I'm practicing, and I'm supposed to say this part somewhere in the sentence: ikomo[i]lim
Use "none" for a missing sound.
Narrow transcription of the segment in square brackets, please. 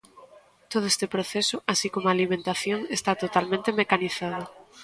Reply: a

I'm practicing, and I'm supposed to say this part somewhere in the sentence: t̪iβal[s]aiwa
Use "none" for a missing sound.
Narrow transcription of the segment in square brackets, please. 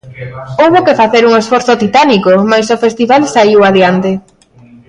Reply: s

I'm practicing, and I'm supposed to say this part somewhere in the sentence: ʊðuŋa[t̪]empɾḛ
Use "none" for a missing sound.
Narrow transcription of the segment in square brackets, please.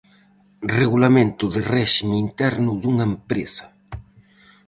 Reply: none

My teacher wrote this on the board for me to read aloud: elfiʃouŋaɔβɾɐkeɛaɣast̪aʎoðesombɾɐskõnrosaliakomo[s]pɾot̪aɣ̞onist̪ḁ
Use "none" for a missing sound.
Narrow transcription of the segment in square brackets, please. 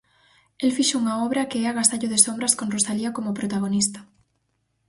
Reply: none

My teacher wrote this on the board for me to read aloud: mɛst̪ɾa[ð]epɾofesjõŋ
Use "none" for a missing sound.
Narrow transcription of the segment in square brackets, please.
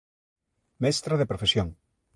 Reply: ð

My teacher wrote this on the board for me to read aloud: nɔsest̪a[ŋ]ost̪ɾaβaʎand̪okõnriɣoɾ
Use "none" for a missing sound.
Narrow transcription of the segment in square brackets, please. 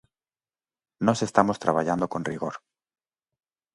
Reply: m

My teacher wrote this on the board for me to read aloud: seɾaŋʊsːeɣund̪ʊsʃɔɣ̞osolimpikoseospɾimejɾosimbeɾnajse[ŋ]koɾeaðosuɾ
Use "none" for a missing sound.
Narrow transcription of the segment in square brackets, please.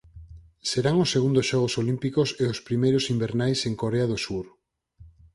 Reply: ŋ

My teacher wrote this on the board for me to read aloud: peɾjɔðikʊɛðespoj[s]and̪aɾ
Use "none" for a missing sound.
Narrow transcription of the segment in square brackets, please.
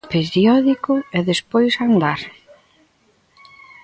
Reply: s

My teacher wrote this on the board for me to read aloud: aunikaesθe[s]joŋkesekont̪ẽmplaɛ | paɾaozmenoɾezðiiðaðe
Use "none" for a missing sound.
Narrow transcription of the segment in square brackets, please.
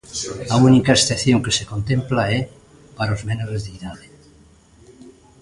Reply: θ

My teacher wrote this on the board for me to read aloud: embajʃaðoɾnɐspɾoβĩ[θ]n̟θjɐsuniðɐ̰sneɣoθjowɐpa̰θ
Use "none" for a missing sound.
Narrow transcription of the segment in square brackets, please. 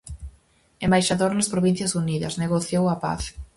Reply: none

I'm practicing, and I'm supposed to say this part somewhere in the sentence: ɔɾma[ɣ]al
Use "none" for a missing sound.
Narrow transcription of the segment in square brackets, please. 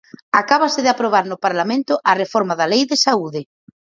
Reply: ð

